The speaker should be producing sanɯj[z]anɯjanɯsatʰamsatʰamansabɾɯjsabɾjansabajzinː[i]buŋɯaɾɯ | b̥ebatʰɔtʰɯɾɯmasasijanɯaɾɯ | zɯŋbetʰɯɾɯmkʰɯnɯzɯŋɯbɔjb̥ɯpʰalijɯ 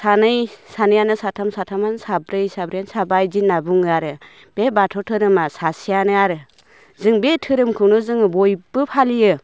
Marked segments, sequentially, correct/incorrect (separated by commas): incorrect, incorrect